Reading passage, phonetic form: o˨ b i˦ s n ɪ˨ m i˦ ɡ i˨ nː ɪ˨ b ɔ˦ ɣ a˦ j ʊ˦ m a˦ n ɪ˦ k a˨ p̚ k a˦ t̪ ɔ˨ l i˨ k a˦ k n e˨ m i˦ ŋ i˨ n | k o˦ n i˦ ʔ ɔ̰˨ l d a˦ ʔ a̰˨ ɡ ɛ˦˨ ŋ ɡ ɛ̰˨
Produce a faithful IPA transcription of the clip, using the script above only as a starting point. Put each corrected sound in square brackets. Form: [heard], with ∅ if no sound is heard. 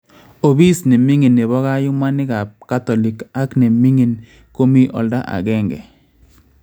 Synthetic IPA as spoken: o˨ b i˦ s n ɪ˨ m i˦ [ŋ] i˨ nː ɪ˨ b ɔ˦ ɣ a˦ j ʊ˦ m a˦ n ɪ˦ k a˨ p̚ k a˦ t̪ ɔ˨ l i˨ k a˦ k n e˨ m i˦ ŋ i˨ n | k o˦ [m] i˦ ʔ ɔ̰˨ l d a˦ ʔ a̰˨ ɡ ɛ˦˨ ŋ ɡ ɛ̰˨